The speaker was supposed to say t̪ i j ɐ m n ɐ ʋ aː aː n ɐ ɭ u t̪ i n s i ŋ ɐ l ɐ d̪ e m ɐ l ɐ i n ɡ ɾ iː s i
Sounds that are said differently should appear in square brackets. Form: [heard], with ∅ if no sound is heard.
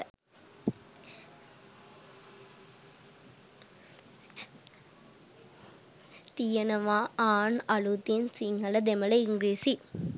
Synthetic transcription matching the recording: t̪ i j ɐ [∅] n ɐ ʋ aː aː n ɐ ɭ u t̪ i n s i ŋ ɐ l ɐ d̪ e m ɐ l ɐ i [ŋ] ɡ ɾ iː s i